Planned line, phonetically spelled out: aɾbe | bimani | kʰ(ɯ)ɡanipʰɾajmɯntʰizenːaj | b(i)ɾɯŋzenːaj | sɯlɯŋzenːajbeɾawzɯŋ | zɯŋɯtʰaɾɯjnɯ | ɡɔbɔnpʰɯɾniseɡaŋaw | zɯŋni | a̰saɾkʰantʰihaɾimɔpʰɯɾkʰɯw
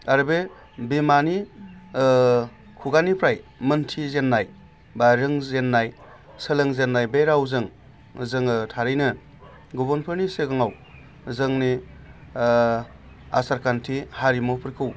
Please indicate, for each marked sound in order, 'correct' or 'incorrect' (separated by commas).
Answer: incorrect, incorrect